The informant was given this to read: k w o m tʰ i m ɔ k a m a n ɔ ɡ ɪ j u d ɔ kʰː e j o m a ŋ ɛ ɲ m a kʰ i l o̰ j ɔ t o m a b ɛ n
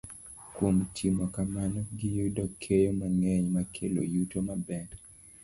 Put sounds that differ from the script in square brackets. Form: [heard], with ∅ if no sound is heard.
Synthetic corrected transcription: k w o m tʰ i m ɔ k a m a n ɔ ɡ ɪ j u d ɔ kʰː e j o m a ŋ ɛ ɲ m a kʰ [e] l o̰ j [u] t o m a b ɛ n